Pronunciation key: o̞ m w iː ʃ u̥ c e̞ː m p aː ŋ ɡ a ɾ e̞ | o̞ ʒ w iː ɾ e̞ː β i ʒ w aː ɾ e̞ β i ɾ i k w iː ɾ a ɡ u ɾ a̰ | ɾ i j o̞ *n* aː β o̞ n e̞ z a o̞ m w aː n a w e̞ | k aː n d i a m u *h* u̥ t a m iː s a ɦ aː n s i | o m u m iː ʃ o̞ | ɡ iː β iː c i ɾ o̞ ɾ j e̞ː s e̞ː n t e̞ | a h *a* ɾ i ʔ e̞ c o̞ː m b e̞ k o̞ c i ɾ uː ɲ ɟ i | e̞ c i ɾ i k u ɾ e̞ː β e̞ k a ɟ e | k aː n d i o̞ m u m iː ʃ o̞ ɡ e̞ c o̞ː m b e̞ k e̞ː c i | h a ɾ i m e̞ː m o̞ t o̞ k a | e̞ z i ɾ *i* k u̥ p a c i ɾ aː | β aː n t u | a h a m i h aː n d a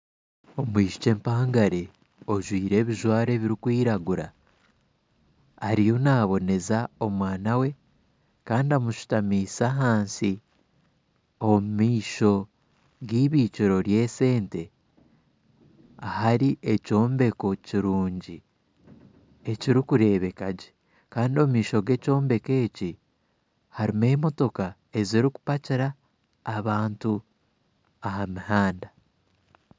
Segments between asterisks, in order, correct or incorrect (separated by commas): correct, incorrect, correct, correct